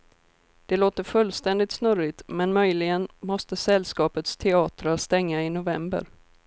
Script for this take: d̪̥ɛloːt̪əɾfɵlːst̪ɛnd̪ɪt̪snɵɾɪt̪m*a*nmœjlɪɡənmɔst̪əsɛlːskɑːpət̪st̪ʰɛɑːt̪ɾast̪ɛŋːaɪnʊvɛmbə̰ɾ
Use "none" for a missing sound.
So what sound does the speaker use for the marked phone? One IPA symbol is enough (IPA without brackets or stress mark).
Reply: ɛ